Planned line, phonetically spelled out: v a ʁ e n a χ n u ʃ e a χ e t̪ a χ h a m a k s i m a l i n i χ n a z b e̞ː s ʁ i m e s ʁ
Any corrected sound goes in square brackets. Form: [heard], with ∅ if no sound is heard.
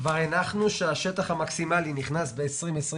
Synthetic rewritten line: v a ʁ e n a χ n u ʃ e a [ʃ] e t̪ a χ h a m a k s i m a l i n i χ n a [s] b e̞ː s ʁ i m e s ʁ